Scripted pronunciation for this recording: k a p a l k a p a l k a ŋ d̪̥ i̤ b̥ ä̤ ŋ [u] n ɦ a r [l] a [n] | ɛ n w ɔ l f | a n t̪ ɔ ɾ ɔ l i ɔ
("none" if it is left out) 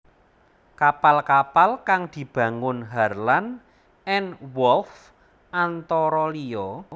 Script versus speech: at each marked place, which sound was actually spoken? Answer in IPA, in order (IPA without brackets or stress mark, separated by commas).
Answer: ʊ, l, n